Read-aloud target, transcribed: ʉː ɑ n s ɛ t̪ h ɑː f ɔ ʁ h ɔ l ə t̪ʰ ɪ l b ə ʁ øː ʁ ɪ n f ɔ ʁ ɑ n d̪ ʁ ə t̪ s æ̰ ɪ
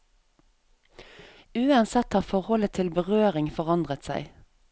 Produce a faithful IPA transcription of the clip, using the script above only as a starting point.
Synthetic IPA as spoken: ʉː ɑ n s ɛ t̪ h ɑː f ɔ ʁ h ɔ l ə t̪ʰ ɪ l b ə ʁ øː ʁ ɪ ŋ f ɔ ʁ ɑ n d̪ ʁ ə t̪ s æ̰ ɪ